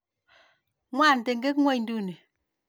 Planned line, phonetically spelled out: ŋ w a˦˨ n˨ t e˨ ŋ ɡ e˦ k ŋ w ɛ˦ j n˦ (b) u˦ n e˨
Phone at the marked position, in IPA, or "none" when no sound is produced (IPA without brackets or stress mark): d